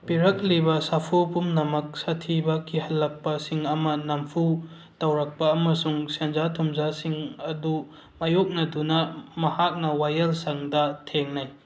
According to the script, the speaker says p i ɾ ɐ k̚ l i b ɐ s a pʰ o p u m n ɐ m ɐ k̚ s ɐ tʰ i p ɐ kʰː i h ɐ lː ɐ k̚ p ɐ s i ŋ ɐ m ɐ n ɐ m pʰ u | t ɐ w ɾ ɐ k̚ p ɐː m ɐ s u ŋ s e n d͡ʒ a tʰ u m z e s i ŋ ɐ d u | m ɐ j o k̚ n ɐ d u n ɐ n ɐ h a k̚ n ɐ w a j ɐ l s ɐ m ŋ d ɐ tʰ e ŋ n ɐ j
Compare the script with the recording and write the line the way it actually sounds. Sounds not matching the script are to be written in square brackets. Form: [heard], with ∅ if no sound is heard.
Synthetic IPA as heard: p i ɾ ɐ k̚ l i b ɐ s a pʰ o p u m n ɐ m ɐ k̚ s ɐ tʰ i [b] ɐ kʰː i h ɐ lː ɐ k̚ p ɐ s i ŋ ɐ m ɐ n ɐ m pʰ u | t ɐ w ɾ ɐ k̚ p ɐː m ɐ s u ŋ s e n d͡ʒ a tʰ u m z [a] s i ŋ ɐ d u | m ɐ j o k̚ n ɐ d u n ɐ [m] ɐ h a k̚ n ɐ w a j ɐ l s ɐ [∅] ŋ d ɐ tʰ e ŋ n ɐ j